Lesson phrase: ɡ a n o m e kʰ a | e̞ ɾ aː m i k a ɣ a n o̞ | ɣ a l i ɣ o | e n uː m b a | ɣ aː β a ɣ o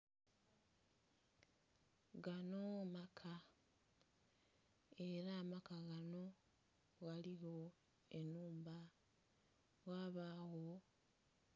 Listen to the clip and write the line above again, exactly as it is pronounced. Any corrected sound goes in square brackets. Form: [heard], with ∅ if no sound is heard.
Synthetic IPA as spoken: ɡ a n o m [a] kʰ a | e̞ ɾ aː m [a] k a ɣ a n o̞ | ɣ a l i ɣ o | e n uː m b a | ɣ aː β a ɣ o